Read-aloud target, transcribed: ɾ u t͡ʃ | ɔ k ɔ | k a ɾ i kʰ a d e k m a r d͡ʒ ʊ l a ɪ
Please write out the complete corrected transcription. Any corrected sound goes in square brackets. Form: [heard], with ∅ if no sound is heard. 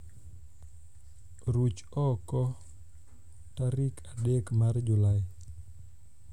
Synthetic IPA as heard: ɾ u t͡ʃ | ɔ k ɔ | [t] a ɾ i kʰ a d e k m a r d͡ʒ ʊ l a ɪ